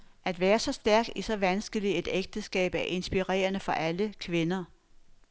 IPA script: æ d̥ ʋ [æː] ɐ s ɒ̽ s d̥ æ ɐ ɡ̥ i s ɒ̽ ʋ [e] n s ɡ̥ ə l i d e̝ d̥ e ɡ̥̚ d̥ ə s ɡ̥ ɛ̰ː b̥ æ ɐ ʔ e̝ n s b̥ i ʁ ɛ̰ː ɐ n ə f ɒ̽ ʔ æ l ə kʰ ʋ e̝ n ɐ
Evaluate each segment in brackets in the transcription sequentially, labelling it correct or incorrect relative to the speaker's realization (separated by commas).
correct, incorrect